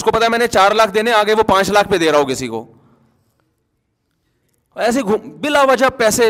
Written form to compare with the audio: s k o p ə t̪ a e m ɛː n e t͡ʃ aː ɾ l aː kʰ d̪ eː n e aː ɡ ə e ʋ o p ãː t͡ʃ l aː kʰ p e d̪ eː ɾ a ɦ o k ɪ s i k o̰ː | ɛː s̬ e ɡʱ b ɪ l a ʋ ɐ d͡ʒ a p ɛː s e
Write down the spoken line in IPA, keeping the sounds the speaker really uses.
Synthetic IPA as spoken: s k o p ɐ t̪ a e m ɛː n e t͡ʃ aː ɾ l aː kʰ d̪ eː n e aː ɡ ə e ʋ o p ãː t͡ʃ l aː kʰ p e d̪ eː ɾ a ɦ o k ɪ s i k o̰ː | ɛː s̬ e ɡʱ b ɪ l a ʋ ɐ d͡ʒ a p ɛː s e